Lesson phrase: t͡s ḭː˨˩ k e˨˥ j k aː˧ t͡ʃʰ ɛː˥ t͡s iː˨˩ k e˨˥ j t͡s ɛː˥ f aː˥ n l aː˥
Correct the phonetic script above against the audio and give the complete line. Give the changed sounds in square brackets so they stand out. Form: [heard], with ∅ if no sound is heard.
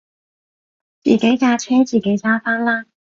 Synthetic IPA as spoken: t͡s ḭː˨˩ k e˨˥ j k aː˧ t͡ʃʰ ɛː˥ t͡s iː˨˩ k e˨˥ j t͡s [aː˥] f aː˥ n l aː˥

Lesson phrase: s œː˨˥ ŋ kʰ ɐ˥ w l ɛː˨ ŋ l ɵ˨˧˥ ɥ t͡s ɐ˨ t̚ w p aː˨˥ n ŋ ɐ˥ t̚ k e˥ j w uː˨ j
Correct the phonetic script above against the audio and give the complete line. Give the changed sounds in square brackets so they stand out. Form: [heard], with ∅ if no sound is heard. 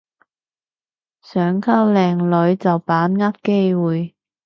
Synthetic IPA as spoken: s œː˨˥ ŋ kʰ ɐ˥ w l ɛː˨ ŋ l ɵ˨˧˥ ɥ t͡s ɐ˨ [∅] w p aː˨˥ n ŋ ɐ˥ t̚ k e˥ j w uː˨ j

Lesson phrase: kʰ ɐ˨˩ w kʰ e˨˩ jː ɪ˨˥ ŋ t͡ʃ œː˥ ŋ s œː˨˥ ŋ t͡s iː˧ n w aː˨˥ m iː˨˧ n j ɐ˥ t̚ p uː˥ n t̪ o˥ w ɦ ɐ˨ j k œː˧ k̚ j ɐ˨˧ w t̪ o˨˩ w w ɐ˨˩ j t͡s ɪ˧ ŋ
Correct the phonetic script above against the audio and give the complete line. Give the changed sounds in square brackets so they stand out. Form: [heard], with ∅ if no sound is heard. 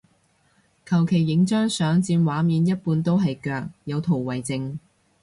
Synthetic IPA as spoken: kʰ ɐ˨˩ w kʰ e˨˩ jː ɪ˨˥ ŋ t͡ʃ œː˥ ŋ s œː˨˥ ŋ t͡s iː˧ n w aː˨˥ m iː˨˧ n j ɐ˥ t̚ p [uː˧] n t̪ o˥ w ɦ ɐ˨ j k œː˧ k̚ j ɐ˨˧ w [t̪ʰ] o˨˩ w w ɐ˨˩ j t͡s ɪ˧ ŋ

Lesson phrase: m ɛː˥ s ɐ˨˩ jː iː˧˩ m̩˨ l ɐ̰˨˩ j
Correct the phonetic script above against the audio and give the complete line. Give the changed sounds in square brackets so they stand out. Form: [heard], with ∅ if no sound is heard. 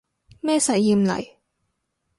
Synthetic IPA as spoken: m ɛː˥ s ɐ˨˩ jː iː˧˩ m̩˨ l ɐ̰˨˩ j

